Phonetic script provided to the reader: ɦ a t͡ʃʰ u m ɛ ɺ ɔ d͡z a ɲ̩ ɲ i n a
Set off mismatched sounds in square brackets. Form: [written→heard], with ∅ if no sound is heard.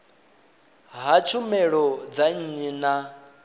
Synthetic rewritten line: ɦ a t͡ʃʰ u m ɛ ɺ ɔ d͡z a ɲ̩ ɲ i n a